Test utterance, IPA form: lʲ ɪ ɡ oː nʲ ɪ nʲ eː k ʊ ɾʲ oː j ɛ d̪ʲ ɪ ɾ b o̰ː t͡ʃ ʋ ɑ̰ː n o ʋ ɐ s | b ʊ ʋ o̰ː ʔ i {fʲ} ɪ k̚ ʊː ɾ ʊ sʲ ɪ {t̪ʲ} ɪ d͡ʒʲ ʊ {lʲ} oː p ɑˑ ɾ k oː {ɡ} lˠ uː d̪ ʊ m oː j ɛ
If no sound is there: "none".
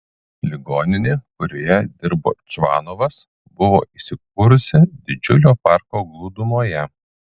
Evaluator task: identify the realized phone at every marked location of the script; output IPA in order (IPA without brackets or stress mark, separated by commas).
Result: sʲ, d̪ʲ, lʲ, ɡ